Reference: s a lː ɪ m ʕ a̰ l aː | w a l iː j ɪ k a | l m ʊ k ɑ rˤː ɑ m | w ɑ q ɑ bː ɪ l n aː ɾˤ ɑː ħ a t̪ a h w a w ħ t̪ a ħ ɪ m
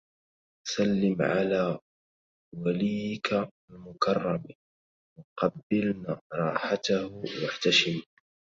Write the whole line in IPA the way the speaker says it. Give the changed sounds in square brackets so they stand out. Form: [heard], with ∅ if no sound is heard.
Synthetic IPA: s a lː ɪ m ʕ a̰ l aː | w a l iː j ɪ k a | l m ʊ k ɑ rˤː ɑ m | w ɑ q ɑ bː ɪ l n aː ɾˤ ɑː ħ a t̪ a h w a [∅] ħ t̪ a [ʃ] ɪ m